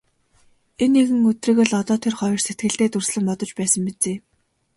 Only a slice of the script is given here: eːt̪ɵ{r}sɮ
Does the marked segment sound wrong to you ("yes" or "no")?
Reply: no